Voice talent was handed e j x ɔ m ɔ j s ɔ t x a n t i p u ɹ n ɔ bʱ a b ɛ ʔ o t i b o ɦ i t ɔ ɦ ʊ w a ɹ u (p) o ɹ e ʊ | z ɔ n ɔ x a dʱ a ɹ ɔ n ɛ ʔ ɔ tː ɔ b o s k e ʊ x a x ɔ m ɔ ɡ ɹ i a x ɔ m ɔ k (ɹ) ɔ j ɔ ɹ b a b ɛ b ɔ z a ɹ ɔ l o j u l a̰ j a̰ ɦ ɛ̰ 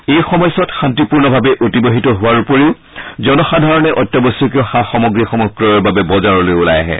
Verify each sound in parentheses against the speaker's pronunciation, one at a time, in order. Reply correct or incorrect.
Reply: correct, correct

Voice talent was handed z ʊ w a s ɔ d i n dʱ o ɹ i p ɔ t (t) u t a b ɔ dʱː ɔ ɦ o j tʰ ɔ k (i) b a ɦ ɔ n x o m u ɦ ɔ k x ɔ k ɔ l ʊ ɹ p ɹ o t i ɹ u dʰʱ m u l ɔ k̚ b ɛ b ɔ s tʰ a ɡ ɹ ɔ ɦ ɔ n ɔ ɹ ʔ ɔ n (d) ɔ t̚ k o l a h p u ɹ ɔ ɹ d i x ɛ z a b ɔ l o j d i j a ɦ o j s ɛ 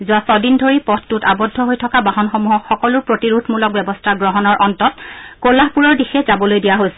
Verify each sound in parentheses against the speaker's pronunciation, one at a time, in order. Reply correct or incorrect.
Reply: correct, incorrect, incorrect

